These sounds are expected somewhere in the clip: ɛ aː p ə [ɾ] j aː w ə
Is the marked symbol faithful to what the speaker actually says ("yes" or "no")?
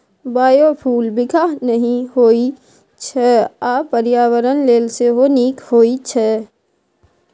yes